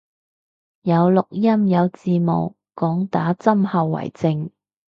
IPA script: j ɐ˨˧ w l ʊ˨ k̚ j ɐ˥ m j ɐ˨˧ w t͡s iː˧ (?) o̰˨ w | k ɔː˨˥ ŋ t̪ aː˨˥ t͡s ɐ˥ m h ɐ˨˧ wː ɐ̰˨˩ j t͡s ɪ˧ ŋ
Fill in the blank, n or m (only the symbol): m